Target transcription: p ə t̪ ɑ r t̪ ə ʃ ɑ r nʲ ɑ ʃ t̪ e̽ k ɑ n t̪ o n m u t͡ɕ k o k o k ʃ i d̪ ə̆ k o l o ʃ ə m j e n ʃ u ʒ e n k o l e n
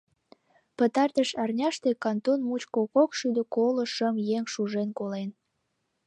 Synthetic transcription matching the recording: p ə t̪ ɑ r t̪ ə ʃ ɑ r nʲ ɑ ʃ t̪ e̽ k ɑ n t̪ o n m u t͡ɕ k o k o k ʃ y d̪ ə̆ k o l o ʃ ə m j e ŋ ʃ u ʒ e n k o l e n

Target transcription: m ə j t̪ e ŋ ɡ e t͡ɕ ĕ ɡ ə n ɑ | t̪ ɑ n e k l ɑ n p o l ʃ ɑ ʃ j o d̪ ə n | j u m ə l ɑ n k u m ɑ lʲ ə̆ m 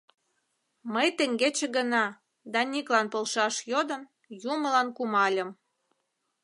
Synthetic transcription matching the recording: m ə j t̪ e ŋ ɡ e t͡ɕ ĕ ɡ ə n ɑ | d̪ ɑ n i k l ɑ n p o l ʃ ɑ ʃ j o d̪ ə n | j u m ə l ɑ n k u m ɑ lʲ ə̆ m

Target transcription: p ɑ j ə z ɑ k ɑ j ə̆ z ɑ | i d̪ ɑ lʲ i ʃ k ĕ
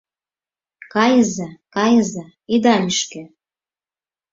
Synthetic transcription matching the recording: k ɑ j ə z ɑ k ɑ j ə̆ z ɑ | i d̪ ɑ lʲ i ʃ k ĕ

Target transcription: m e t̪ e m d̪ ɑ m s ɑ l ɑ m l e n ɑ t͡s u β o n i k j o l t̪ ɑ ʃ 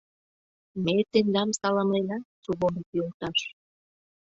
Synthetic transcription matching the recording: m e t̪ e n d̪ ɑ m s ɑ l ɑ m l e n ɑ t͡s u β o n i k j o l t̪ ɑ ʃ

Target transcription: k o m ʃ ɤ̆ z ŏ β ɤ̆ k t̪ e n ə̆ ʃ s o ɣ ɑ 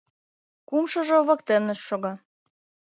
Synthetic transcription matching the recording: k u m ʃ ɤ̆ ʒ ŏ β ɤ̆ k t̪ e n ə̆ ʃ ʃ o ɣ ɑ

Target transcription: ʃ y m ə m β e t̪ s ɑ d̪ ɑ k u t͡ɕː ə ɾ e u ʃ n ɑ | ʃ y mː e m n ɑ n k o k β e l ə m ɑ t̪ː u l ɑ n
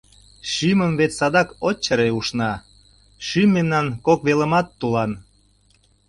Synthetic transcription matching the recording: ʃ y m ə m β e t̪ s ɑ d̪ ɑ k o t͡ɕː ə ɾ e u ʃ n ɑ | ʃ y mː e m n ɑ n k o k β e l ə m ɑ t̪ː u l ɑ n

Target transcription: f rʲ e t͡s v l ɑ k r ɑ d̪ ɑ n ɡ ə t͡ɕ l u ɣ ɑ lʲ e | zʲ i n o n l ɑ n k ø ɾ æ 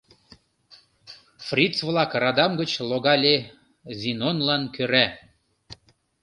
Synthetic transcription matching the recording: f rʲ i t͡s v l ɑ k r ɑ d̪ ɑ m ɡ ə t͡ɕ l o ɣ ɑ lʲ e | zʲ i n o n l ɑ n k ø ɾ æ

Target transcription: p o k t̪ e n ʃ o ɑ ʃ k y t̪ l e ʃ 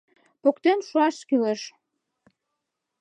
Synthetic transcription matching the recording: p o k t̪ e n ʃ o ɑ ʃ k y l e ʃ

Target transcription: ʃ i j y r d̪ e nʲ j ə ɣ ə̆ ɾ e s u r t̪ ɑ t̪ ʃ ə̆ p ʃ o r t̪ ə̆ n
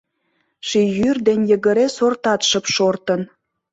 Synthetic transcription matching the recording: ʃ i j y r d̪ e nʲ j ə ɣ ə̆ ɾ e s o r t̪ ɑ t̪ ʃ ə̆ p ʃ o r t̪ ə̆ n

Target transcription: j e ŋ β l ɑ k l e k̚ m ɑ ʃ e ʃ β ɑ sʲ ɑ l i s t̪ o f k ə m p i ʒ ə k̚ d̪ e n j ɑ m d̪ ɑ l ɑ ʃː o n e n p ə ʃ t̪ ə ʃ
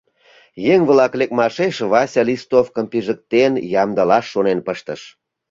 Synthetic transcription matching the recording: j e ŋ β l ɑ k l e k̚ m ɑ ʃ e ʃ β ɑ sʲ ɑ l i s t̪ o f k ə m p i ʒ ə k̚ t̪ e n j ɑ m d̪ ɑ l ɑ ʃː o n e n p ə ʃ t̪ ə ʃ

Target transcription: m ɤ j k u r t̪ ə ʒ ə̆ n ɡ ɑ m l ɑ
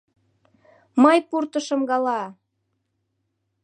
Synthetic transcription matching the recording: m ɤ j p u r t̪ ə ʃ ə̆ m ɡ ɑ l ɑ

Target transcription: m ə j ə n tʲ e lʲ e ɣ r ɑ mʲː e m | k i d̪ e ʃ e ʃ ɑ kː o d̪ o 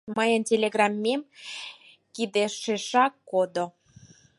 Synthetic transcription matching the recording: m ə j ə n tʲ e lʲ e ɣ r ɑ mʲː e m | k i d̪ e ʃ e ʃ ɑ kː o d̪ o

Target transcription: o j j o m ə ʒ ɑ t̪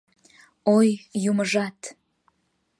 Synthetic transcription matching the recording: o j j u m ə ʒ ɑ t̪

